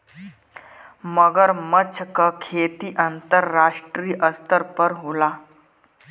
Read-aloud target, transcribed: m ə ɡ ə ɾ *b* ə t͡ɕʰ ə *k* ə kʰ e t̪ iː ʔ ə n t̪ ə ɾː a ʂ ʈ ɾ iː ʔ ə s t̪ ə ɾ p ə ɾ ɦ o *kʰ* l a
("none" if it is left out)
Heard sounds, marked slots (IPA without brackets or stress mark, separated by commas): m, k, none